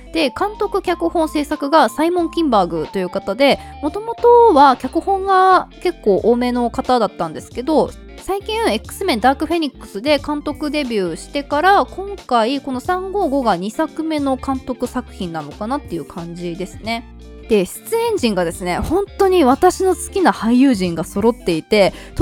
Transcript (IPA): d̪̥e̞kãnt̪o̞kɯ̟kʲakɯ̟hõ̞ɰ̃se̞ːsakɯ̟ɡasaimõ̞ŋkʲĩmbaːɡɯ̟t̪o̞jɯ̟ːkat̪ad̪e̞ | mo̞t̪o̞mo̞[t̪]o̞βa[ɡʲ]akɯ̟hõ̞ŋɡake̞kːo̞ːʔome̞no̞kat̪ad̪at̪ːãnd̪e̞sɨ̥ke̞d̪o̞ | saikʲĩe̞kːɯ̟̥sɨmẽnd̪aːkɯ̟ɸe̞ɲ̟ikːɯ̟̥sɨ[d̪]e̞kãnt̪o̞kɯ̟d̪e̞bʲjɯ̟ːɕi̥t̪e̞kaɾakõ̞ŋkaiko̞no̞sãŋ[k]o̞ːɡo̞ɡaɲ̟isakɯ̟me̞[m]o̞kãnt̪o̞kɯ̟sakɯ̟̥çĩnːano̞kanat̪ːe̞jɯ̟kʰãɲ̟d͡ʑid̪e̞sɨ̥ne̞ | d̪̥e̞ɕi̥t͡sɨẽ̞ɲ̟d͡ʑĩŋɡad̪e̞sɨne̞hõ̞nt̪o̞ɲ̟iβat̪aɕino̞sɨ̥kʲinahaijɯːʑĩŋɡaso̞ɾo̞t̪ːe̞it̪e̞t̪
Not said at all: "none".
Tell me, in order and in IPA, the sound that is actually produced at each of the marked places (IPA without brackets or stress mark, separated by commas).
t̪, kʲ, d̪, ɡ, n